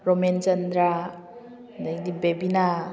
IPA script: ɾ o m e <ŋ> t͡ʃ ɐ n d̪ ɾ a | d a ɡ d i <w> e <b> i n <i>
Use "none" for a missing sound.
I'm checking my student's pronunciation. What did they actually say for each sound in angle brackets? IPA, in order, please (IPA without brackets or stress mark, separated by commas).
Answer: n, b, b, a